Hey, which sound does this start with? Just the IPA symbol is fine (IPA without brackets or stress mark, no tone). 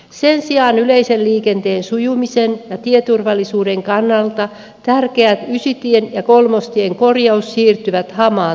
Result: s